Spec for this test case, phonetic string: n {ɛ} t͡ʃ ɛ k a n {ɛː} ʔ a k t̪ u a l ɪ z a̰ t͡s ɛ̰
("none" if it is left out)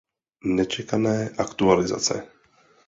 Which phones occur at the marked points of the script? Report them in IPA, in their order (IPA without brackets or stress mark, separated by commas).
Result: ɛ, ɛː